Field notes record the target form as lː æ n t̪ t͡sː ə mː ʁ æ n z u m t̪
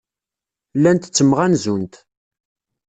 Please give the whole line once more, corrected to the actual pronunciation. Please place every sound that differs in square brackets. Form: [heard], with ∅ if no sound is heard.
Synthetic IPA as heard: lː æ n t̪ t͡sː ə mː ʁ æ n z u [n] t̪